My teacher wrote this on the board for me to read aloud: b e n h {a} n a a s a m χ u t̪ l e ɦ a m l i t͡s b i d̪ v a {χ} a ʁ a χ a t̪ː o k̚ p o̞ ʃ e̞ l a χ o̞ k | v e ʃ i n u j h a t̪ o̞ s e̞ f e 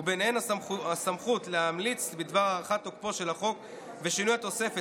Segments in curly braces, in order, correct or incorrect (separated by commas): incorrect, incorrect